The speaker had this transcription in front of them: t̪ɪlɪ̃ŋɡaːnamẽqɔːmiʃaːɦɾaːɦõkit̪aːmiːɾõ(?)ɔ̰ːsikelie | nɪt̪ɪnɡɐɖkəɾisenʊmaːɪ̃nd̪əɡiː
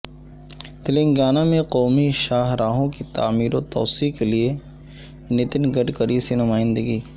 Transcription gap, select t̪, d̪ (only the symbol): t̪